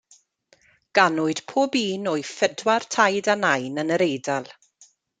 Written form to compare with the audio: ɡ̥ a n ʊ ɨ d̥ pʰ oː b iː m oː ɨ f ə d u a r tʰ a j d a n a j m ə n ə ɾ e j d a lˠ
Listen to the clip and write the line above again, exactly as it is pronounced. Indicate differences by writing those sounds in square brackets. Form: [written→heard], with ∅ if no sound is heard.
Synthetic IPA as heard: ɡ̥ a n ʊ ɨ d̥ pʰ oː b iː [m→n] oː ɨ f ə d [u→w] a r tʰ a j d a n a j [m→n] ə n ə ɾ e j d a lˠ